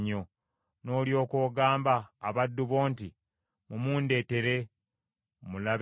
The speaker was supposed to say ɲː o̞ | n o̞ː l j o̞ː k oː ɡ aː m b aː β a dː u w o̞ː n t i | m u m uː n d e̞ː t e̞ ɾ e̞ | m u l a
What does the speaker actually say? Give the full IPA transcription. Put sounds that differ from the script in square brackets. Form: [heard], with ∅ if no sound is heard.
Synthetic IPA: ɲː o̞ | n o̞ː l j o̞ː k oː ɡ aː m b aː β a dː u [β] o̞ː n t i | m u m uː n d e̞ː t e̞ ɾ e̞ | m u l a

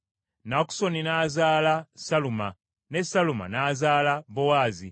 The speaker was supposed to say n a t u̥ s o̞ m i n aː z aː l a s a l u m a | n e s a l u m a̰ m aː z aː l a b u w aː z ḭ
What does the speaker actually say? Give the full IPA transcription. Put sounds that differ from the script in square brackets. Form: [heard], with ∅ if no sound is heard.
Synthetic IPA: n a [k] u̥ s o̞ [n] i n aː z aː l a s a l u m a | n e s a l u m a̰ [n] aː z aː l a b [o] w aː z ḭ

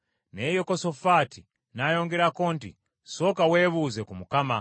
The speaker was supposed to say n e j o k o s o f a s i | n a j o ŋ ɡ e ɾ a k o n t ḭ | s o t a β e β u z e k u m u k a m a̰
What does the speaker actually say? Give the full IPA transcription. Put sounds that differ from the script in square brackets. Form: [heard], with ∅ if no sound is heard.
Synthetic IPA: n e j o k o s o f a [t] i | n a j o ŋ ɡ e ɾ a k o n t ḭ | s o [k] a [w] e β u z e k u m u k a m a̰

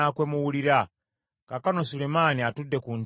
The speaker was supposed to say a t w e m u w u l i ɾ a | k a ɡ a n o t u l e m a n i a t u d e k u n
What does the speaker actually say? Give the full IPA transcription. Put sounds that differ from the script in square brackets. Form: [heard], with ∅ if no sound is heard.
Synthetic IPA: a [k] w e m u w u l i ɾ a | k a [k] a n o [s] u l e m a n i a t u d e k u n

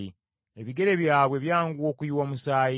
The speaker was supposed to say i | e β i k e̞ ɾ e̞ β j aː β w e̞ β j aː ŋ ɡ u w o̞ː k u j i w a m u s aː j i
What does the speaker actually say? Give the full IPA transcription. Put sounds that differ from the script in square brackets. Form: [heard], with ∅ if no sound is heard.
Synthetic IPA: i | e β i [ɡ] e̞ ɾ e̞ β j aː β w e̞ β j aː ŋ ɡ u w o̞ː k u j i w a m u s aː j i

